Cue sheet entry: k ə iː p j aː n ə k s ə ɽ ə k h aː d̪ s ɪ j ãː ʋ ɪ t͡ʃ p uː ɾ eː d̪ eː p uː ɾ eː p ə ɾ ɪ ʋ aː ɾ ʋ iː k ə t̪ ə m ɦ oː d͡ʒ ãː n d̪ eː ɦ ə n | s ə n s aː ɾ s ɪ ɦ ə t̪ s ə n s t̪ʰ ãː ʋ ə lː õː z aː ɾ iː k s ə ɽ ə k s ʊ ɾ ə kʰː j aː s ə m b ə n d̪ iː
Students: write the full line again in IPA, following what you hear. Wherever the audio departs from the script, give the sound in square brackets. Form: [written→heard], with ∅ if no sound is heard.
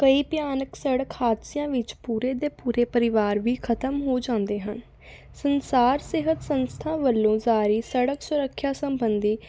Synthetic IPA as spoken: k ə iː p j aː n ə k s ə ɽ ə k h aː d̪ s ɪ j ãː ʋ ɪ t͡ʃ p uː ɾ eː d̪ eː p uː ɾ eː p ə ɾ ɪ ʋ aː ɾ ʋ iː [k→kʰ] ə t̪ ə m ɦ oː d͡ʒ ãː n d̪ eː ɦ ə n | s ə n s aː ɾ s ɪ ɦ ə t̪ s ə n s t̪ʰ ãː ʋ ə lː õː z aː ɾ iː [k→∅] s ə ɽ ə k s ʊ ɾ ə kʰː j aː s ə m b ə n d̪ iː